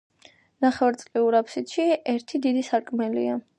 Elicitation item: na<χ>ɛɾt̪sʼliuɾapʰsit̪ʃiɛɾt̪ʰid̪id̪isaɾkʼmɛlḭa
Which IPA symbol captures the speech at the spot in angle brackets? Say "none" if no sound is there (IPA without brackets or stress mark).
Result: χ